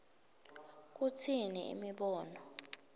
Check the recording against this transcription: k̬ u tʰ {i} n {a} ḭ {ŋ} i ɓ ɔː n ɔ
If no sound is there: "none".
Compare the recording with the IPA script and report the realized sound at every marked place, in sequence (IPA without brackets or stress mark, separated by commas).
i, i, m